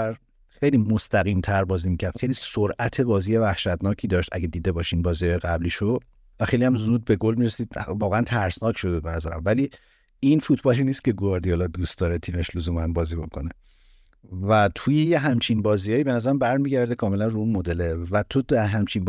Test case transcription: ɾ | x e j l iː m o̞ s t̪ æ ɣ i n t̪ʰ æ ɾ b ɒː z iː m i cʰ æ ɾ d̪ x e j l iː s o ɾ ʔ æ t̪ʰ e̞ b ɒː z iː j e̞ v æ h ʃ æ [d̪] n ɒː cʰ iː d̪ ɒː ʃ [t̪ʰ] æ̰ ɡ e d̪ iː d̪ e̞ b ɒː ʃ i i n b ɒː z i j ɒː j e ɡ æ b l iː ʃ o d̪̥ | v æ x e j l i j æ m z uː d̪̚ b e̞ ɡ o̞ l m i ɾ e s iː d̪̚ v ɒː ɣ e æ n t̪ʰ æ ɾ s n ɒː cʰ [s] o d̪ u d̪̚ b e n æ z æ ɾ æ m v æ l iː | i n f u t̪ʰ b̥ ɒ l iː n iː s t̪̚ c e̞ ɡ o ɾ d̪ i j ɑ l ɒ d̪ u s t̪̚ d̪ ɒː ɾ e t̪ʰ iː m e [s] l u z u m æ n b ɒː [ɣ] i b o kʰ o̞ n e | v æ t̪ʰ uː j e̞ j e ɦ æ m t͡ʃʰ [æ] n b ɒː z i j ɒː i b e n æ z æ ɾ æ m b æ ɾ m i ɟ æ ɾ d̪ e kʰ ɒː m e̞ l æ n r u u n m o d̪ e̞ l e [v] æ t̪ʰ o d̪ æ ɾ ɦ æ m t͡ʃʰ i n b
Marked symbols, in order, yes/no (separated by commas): no, no, no, no, no, no, yes